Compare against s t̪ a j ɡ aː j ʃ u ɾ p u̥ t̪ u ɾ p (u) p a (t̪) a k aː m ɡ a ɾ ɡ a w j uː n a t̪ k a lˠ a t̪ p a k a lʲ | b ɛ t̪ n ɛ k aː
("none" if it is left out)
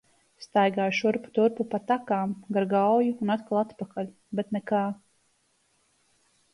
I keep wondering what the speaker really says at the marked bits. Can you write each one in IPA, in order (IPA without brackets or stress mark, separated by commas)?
u, t̪